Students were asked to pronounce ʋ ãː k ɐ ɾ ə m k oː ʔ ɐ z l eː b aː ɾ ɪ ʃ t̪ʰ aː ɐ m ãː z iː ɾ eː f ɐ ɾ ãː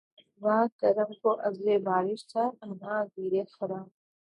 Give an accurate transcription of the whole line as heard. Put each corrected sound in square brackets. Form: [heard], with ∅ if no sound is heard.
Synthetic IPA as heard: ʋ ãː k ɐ ɾ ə m k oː ʔ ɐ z l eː b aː ɾ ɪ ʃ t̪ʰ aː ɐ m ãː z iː ɾ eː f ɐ ɾ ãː